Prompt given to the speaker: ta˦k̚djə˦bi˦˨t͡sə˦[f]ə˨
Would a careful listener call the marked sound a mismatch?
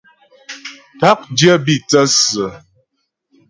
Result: yes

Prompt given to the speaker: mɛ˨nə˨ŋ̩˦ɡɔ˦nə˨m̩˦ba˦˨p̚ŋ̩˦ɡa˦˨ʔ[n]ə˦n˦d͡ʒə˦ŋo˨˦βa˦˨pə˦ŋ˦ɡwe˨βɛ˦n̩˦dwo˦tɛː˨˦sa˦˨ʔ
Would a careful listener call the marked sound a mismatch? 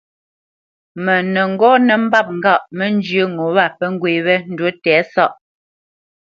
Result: yes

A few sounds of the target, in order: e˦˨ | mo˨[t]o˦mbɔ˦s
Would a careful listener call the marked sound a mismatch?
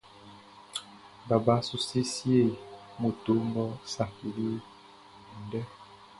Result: no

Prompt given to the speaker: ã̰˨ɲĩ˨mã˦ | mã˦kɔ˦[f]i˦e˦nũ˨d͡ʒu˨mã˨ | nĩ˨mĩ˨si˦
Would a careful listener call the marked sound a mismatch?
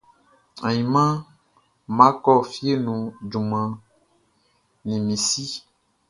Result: no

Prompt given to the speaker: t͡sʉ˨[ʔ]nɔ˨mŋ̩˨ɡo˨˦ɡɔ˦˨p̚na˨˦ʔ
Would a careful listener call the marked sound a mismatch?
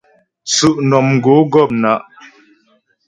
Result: no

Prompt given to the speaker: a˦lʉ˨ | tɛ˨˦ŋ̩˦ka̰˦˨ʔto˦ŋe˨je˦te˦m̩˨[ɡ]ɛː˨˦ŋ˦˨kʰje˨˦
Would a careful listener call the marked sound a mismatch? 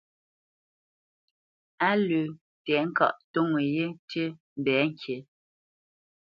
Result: yes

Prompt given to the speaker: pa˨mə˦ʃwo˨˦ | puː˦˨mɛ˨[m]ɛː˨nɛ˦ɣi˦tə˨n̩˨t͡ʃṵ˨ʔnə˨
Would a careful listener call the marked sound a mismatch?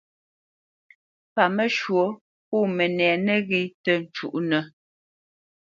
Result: yes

